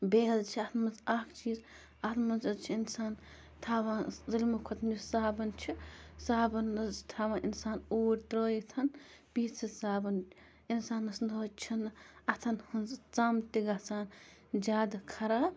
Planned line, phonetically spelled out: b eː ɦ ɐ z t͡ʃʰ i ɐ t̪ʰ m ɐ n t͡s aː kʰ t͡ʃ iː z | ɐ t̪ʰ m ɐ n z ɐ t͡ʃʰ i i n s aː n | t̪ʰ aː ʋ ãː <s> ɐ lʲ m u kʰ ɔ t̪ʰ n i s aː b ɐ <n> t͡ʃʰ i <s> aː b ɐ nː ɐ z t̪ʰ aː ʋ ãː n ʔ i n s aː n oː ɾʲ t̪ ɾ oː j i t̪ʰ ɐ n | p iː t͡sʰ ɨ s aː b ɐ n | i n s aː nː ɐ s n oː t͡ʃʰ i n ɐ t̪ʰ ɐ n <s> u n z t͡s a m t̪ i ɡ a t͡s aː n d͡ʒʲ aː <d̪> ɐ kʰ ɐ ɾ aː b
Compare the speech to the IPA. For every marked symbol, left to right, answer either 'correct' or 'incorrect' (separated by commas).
incorrect, correct, correct, incorrect, correct